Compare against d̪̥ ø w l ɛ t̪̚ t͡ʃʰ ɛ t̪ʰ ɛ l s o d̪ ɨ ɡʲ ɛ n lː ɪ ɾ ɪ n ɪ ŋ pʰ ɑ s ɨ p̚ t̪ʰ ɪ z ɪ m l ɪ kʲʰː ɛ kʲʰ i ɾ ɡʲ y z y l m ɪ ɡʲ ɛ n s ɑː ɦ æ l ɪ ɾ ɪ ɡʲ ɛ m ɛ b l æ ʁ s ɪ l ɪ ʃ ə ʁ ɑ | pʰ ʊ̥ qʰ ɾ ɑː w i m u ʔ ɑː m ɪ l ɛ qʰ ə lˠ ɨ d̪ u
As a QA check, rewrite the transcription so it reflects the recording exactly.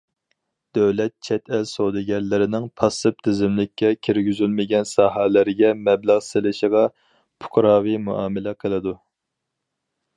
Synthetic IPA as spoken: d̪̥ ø w l ɛ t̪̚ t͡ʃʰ ɛ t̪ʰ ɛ l s o d̪ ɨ ɡʲ ɛ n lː ɪ ɾ ɪ n ɪ ŋ pʰ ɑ s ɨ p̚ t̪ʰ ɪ z ɪ m l ɪ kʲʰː ɛ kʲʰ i ɾ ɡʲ y z y l m ɪ ɡʲ ɛ n s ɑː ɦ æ l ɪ ɾ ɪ ɡʲ ɛ m ɛ b l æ ʁ s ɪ l ɪ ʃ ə ʁ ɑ | pʰ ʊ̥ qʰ ɾ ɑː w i m u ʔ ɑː m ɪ l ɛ qʰ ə lˠ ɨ d̪ u